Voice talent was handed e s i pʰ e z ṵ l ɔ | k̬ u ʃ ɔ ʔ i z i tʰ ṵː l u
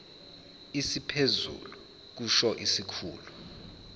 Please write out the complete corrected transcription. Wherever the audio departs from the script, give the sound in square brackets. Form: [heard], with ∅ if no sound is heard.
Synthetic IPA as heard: [i] s i pʰ e z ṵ l [u] | k̬ u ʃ ɔ ʔ i [s] i [kʰ] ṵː l u